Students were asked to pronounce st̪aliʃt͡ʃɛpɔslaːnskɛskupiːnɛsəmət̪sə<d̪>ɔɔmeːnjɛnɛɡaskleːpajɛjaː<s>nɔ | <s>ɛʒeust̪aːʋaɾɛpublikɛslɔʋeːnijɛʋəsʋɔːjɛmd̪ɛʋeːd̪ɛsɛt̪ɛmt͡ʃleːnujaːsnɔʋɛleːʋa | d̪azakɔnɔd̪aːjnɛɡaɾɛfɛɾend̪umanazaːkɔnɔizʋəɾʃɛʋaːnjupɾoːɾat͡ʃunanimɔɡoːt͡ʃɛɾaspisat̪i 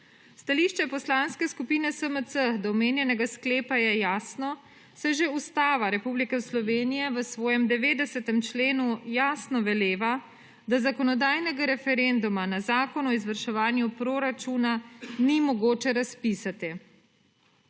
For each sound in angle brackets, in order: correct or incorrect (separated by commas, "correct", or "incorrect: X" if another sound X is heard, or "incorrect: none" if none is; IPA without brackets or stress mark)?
correct, correct, correct